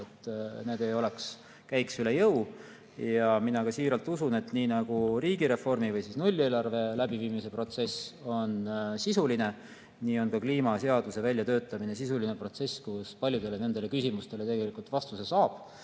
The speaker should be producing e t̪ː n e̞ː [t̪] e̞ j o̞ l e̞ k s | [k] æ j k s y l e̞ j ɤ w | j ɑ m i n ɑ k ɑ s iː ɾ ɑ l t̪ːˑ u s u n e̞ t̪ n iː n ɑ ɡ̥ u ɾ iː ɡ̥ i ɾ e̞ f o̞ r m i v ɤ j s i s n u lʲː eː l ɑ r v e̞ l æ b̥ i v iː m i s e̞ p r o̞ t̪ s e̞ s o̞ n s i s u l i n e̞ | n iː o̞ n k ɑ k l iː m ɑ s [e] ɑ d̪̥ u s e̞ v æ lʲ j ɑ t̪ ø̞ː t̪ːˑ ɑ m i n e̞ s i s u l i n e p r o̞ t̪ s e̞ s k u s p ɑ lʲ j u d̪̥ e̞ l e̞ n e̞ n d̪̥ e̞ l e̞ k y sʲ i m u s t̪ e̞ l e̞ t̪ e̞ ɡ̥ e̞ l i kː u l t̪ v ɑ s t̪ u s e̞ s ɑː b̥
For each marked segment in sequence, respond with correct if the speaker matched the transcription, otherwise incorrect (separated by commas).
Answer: incorrect, correct, correct